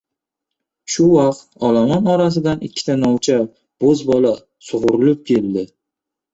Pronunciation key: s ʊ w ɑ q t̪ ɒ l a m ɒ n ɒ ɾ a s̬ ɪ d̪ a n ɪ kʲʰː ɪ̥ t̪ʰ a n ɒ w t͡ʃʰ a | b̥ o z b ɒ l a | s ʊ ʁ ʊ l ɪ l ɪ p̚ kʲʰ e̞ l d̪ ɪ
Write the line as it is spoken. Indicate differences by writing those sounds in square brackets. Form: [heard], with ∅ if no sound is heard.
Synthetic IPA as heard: [ʃ] ʊ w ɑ q t̪ ɒ l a m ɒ n ɒ ɾ a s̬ ɪ d̪ a n ɪ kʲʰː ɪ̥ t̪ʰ a n ɒ w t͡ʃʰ a | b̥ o z b ɒ l a | s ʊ ʁ ʊ [ɾ] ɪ l ɪ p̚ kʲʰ e̞ l d̪ ɪ